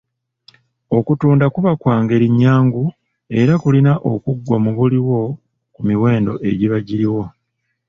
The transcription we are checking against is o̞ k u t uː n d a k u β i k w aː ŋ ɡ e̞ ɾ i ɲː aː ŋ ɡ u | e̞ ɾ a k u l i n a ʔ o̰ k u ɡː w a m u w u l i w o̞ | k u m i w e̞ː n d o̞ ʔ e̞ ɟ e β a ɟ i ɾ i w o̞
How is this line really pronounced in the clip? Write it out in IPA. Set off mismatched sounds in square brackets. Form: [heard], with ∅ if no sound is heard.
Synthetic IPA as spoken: o̞ k u t uː n d a k u β [a] k w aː ŋ ɡ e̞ ɾ i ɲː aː ŋ ɡ u | e̞ ɾ a k u l i n a ʔ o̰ k u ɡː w a m u [β] u l i w o̞ | k u m i w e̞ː n d o̞ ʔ e̞ ɟ [i] β a ɟ i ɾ i w o̞